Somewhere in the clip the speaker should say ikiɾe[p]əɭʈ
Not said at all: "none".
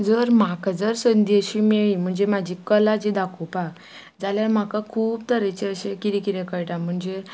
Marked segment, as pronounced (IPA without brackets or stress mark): k